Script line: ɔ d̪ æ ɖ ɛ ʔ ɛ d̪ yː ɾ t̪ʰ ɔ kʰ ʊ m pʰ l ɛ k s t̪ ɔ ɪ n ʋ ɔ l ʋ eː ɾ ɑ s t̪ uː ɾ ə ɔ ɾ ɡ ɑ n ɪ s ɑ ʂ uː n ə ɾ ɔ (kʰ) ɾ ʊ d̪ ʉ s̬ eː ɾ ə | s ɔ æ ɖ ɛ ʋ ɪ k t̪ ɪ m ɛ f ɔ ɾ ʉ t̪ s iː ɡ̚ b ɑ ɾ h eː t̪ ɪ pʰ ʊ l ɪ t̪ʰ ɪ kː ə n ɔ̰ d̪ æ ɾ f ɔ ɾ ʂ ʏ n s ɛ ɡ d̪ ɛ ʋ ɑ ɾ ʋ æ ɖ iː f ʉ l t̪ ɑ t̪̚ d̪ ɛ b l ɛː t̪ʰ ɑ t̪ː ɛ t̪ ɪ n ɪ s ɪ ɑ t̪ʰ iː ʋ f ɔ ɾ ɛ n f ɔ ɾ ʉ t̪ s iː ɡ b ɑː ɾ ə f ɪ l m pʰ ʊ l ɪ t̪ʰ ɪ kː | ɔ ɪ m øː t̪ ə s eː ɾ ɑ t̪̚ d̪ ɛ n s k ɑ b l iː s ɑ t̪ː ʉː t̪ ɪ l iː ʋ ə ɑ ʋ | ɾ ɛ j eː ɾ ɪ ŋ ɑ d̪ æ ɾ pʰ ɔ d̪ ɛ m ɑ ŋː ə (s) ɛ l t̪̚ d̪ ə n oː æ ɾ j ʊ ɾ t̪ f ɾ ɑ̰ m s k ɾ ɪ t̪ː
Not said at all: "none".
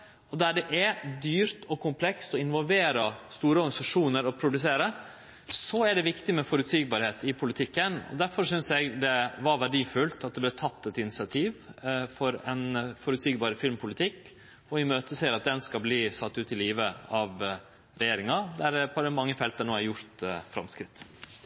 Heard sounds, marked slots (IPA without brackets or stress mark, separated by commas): pʰ, f